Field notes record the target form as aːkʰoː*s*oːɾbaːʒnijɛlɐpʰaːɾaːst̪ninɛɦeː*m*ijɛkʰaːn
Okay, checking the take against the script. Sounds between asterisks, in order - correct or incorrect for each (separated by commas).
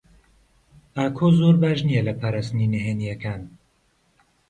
incorrect, incorrect